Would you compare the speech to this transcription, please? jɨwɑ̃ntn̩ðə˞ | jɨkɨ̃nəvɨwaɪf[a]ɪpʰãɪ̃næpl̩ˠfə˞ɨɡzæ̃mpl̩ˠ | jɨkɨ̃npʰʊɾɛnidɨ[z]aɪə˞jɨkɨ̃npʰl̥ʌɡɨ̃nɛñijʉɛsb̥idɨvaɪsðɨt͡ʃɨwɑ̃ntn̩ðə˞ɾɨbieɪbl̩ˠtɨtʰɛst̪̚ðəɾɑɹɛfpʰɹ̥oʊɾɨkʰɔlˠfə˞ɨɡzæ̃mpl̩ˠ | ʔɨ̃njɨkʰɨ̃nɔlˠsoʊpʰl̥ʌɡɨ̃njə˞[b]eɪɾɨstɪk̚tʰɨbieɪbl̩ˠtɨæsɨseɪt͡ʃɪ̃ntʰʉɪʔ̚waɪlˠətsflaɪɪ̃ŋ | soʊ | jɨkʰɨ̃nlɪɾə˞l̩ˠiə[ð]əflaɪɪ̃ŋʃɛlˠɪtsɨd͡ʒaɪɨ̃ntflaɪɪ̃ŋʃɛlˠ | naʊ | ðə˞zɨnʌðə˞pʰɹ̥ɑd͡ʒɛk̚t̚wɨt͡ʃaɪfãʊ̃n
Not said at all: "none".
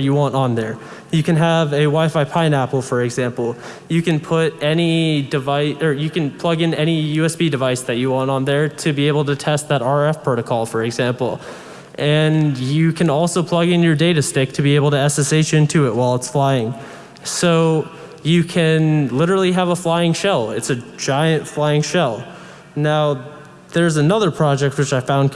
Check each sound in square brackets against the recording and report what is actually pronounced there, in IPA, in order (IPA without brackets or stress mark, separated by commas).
a, v, d, v